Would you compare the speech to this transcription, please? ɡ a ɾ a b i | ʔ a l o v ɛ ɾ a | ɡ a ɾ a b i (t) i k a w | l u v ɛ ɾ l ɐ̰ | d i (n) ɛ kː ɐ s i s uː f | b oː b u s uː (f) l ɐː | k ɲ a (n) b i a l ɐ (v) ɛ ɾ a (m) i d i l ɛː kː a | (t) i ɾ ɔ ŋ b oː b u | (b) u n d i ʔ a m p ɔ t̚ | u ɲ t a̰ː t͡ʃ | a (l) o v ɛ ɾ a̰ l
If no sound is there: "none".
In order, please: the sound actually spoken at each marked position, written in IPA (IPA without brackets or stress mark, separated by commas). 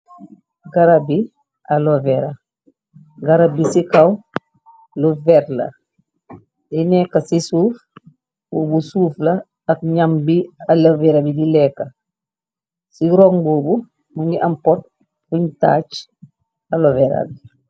s, n, f, m, v, b, s, m, l